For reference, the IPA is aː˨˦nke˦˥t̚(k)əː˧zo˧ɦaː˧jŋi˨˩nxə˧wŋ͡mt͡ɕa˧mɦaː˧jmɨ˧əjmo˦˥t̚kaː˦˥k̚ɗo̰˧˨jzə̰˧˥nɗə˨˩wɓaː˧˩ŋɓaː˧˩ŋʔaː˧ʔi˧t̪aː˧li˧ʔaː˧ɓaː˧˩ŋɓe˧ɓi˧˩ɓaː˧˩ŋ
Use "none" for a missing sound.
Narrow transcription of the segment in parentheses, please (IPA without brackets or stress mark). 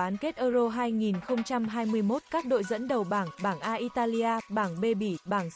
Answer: ʔ